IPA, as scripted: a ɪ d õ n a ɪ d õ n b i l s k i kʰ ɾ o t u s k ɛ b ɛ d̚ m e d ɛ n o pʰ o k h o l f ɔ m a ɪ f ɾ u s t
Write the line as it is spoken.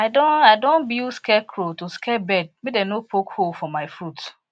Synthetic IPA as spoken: a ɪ d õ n a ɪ d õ n b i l s k ɛ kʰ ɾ o t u s k ɛ b ɛ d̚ m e d ɛ n o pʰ o k h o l f ɔ m a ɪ f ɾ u t